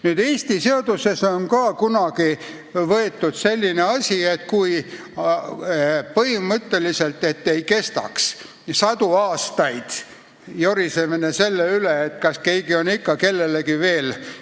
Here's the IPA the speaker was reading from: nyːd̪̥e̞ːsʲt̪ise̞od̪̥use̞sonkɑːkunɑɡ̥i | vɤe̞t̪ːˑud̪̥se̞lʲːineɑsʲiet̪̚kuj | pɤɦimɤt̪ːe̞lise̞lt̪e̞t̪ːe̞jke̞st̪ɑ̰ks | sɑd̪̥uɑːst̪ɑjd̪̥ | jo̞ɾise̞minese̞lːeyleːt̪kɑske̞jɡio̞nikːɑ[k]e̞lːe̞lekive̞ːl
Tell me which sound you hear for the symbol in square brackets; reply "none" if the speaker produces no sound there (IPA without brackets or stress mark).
k